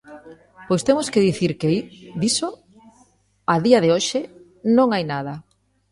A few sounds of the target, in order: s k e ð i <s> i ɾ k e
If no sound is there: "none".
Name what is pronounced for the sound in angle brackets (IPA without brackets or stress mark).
θ